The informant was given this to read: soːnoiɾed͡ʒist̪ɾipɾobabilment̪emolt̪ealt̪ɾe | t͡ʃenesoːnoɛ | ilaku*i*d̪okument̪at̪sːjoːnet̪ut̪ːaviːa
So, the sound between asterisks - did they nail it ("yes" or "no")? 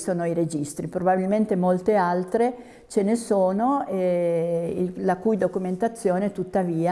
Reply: no